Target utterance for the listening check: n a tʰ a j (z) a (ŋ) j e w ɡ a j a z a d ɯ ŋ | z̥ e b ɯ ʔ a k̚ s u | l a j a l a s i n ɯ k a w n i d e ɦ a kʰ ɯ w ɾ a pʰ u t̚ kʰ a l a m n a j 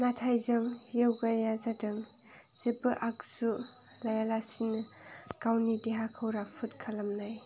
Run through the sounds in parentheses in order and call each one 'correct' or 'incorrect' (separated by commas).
correct, correct